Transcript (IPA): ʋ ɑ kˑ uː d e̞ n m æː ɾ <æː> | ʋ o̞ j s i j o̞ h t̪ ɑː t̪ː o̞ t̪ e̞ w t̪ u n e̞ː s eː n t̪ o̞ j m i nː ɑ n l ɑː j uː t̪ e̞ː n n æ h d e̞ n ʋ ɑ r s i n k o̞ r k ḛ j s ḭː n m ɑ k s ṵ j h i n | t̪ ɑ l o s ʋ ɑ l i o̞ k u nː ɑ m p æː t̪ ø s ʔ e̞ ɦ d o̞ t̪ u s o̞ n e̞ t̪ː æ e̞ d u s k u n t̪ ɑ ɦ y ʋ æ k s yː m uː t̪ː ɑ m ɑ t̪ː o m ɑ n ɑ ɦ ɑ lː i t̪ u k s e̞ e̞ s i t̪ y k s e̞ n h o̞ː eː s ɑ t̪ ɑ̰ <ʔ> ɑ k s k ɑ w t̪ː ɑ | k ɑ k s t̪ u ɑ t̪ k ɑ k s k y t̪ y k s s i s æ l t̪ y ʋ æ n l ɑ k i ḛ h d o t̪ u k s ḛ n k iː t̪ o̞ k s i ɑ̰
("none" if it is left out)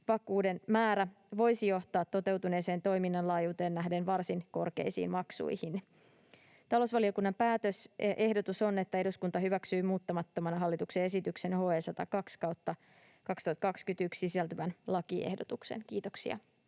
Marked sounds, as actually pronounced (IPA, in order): æ, k

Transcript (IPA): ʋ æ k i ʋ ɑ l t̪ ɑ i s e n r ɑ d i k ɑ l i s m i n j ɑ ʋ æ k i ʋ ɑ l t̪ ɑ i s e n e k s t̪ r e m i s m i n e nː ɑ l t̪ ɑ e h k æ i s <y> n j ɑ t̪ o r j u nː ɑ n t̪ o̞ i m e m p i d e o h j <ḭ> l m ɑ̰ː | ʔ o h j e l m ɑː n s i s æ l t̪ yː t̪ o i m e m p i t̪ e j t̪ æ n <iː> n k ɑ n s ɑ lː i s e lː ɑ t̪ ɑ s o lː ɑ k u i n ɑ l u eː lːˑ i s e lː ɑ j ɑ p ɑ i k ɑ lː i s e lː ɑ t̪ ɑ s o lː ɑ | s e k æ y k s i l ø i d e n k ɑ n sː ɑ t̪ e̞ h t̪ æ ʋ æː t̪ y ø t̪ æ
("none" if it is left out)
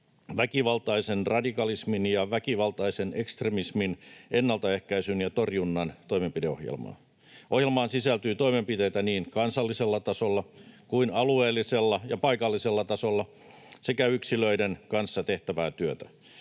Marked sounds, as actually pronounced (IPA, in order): y, ḛ, iː

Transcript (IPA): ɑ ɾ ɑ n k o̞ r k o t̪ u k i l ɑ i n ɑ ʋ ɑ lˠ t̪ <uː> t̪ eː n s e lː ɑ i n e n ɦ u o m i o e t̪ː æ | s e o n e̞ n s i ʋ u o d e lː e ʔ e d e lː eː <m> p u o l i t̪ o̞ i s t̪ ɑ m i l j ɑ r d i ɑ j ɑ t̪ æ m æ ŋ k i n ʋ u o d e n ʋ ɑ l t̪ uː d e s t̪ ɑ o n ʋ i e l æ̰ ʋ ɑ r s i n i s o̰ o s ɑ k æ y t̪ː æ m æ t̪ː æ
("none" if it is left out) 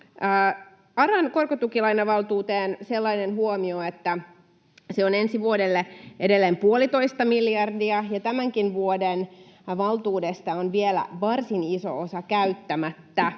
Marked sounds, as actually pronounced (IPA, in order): uː, m

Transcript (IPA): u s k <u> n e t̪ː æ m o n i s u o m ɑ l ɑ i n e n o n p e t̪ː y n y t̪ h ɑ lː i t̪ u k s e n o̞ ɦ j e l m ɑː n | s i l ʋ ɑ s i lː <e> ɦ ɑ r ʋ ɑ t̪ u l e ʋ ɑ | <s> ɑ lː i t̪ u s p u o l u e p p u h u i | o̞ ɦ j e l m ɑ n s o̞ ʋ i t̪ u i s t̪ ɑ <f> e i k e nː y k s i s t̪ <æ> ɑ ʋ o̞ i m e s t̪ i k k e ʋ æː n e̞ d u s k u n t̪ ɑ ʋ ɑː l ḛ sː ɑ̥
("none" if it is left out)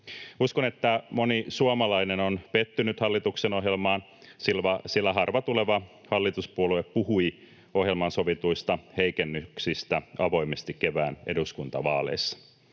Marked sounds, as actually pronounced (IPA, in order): o, æ, h, h, æ

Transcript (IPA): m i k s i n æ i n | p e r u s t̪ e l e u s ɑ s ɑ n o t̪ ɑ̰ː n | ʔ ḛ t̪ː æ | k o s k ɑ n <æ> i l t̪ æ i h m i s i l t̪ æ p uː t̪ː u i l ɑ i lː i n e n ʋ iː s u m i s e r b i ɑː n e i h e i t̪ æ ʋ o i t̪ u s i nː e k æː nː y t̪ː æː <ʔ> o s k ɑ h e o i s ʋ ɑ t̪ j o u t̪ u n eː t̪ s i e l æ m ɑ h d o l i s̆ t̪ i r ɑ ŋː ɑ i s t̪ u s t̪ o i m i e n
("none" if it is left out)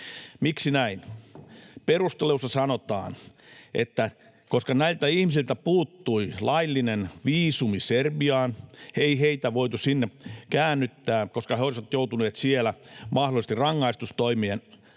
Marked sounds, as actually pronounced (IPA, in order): æ, k

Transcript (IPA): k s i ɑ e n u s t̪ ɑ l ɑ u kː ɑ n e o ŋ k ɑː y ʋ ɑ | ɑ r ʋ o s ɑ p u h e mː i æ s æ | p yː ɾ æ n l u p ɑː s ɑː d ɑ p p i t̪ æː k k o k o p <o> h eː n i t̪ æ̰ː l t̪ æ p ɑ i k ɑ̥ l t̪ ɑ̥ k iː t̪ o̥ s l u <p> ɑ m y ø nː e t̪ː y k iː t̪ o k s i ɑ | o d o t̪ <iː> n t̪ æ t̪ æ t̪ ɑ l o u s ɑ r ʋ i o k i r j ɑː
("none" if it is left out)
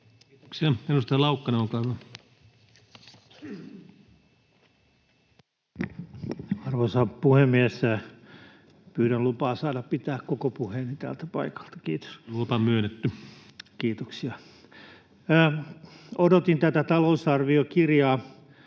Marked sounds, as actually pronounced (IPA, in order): u, p, i

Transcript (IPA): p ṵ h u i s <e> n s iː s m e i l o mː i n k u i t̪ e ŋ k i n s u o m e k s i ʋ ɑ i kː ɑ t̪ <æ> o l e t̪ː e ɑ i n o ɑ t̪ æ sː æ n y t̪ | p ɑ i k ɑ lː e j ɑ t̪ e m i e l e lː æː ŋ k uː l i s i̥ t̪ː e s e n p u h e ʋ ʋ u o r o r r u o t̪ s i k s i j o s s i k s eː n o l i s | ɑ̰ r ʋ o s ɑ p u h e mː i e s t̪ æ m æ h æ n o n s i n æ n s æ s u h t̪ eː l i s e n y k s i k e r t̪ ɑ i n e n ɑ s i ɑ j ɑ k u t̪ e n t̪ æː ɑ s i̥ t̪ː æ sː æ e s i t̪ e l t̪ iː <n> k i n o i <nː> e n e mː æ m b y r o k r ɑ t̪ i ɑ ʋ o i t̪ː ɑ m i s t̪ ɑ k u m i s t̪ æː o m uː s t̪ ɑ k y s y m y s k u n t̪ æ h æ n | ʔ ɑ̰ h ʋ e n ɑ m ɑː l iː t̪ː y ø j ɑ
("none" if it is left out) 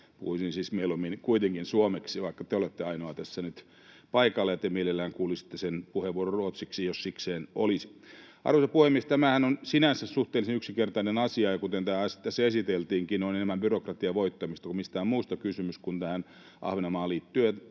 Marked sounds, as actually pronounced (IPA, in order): i, e, ŋ, n

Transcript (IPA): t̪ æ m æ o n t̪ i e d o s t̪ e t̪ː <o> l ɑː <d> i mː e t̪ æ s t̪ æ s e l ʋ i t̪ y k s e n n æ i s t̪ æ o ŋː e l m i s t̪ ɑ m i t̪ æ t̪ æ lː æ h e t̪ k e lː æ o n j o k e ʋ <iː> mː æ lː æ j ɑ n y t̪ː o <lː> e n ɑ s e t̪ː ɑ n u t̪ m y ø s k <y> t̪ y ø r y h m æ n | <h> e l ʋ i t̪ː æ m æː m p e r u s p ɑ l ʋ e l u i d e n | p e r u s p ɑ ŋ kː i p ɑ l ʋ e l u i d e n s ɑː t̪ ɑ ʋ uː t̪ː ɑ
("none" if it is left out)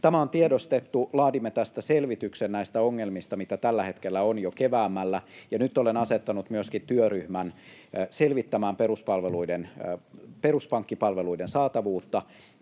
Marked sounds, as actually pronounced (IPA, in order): u, d, æː, l, i, s

